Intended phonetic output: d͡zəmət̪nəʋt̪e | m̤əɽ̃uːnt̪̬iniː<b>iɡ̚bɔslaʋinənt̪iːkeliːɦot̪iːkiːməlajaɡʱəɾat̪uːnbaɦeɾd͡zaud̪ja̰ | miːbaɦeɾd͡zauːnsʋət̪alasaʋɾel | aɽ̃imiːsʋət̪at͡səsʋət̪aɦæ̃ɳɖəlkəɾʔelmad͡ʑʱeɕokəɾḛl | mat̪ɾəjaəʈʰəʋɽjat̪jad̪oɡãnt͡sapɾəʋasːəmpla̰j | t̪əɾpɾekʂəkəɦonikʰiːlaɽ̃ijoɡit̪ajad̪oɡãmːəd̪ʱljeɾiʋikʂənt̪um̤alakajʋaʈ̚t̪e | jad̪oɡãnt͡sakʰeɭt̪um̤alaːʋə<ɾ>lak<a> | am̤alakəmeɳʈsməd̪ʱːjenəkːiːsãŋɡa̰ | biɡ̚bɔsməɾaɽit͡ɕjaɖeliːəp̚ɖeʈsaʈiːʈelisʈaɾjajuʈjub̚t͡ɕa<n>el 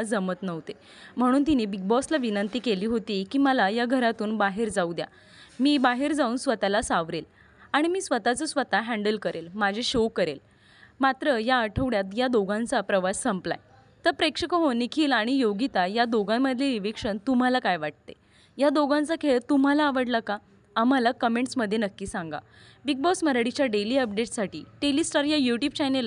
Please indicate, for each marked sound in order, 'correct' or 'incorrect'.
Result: correct, incorrect, correct, correct

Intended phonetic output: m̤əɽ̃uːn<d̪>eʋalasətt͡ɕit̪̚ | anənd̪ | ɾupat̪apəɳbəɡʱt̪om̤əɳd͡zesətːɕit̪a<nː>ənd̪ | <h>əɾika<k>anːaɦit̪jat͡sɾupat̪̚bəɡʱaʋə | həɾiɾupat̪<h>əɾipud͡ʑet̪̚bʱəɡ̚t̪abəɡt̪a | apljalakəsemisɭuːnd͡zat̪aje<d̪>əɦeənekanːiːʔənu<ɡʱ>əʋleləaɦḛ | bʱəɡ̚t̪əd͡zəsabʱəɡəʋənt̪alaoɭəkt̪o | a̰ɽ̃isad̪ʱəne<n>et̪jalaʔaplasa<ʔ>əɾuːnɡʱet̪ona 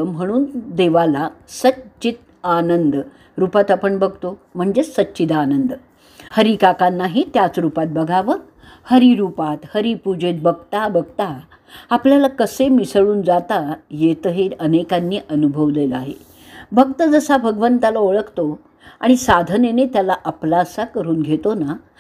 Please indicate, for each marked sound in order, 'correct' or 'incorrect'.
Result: correct, incorrect, correct, correct, correct, incorrect, incorrect, correct, incorrect

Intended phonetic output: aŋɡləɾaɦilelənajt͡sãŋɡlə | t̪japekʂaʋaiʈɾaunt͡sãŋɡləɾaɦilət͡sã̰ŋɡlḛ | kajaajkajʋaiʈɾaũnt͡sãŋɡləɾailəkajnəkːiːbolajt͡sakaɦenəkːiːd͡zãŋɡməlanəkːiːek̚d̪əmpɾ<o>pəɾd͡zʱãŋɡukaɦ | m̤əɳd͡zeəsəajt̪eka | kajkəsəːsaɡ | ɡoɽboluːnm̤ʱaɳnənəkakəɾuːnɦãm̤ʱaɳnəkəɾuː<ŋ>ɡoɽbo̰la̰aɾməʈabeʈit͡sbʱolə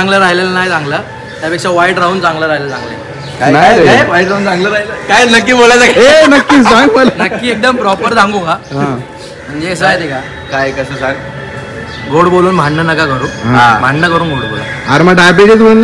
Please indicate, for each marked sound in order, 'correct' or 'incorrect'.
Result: incorrect, incorrect

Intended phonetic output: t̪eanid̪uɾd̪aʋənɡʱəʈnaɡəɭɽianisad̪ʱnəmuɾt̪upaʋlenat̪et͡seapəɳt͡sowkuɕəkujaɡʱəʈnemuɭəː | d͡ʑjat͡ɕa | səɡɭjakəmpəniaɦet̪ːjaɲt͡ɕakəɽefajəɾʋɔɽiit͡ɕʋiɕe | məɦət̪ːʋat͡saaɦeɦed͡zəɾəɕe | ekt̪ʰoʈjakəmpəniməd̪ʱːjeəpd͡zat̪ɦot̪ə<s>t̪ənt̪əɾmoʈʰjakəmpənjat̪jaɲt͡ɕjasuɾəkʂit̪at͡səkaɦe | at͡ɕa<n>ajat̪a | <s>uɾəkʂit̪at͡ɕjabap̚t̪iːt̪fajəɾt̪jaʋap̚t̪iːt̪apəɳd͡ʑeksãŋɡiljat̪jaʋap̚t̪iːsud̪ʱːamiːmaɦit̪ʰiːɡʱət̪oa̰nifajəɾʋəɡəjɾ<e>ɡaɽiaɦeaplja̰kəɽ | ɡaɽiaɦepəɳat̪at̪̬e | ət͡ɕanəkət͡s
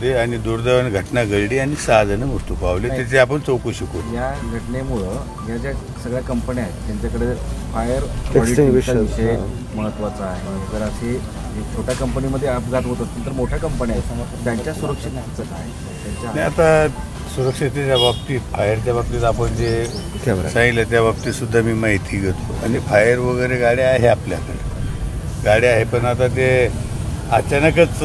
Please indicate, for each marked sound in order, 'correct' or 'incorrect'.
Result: correct, correct, correct, correct

